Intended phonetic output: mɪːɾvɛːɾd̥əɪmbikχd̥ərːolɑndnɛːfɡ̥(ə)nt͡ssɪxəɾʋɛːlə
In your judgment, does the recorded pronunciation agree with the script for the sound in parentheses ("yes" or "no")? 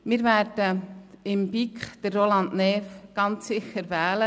no